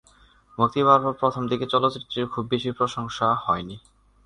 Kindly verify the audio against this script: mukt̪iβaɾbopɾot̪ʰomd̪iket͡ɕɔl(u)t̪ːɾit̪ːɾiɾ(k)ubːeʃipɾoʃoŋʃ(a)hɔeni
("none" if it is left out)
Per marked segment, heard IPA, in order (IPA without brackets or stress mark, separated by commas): o, kʰ, a